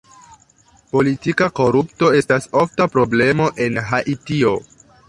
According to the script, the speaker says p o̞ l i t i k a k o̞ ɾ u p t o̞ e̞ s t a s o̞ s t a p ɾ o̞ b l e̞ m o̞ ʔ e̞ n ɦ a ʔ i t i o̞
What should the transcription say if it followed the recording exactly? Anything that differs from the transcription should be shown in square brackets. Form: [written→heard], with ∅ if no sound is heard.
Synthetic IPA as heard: p o̞ l i t i k a k o̞ ɾ u p t o̞ e̞ s t a s o̞ [s→f] t a p ɾ o̞ b l e̞ m o̞ ʔ e̞ n ɦ a ʔ i t i o̞